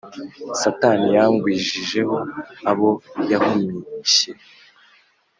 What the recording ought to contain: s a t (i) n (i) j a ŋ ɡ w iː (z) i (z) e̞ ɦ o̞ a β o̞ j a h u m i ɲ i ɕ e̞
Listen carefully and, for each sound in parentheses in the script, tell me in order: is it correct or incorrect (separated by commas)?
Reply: incorrect, correct, incorrect, incorrect